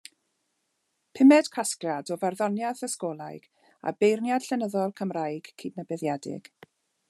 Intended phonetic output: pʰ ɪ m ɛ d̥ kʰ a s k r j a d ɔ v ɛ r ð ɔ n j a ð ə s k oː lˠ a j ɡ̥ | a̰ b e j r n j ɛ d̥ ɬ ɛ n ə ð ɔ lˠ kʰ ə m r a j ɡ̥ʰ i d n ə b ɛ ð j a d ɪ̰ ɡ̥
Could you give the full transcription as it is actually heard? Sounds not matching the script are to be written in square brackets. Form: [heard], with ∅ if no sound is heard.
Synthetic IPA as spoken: pʰ ɪ m ɛ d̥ kʰ a s k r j a d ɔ v [a] r ð ɔ n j a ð ə s k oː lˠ a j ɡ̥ | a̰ b e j r n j [a] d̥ ɬ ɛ n ə ð ɔ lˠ kʰ ə m r a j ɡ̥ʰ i d n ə b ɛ ð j a d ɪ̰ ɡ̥